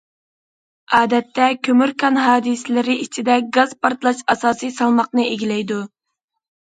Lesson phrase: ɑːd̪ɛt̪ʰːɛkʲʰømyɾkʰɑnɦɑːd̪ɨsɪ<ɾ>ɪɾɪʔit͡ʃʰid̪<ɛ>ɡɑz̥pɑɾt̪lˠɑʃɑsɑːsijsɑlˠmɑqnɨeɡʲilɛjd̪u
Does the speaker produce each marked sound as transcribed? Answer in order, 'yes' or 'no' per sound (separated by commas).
no, yes